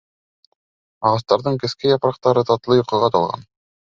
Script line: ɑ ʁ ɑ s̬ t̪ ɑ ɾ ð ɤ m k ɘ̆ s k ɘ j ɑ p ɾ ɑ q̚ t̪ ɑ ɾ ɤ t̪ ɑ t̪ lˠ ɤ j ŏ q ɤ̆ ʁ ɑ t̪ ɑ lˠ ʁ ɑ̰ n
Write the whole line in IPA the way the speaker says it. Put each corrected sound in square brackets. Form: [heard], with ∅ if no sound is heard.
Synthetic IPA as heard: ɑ ʁ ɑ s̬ t̪ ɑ ɾ ð ɤ [ɴ] k ɘ̆ s k ɘ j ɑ p ɾ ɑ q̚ t̪ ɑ ɾ ɤ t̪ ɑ t̪ lˠ ɤ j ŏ q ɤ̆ ʁ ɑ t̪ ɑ lˠ ʁ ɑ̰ n